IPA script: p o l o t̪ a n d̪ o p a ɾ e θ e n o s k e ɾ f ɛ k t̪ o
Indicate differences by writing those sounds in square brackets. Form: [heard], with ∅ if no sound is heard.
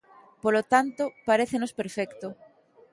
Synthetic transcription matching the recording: p o l o t̪ a n [t̪] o p a ɾ e θ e n o s [p] e ɾ f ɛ k t̪ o